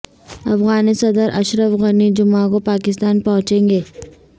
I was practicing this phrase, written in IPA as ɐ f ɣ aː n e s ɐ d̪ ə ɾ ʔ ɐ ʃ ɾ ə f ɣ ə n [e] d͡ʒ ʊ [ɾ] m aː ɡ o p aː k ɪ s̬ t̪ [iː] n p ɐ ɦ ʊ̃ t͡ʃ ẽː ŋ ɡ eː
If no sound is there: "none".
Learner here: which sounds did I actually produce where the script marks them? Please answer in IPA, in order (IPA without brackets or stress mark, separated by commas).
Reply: i, none, aː